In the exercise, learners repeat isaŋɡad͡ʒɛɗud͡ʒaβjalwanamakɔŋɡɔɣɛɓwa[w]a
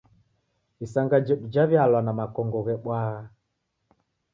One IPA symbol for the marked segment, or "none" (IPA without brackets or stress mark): ɣ